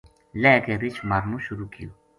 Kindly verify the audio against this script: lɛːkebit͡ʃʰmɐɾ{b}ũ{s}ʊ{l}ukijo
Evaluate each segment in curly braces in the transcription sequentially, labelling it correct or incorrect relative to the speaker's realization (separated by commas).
incorrect, incorrect, incorrect